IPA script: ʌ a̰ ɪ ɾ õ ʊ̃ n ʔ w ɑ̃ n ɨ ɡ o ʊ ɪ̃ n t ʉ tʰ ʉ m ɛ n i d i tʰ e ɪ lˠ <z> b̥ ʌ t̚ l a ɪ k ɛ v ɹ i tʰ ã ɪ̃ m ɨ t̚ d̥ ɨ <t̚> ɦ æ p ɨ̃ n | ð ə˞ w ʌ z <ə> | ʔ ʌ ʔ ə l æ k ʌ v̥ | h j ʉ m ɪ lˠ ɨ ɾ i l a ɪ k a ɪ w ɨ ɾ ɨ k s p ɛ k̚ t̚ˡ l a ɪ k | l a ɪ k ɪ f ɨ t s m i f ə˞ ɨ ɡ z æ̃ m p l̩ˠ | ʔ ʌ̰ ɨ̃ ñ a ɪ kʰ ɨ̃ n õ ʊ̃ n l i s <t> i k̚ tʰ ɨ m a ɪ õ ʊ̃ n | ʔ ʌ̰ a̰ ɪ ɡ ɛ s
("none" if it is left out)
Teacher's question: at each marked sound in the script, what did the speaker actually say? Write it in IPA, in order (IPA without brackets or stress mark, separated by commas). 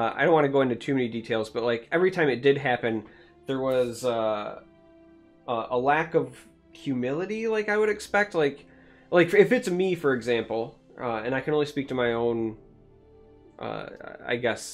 z, d̚, ʌ, p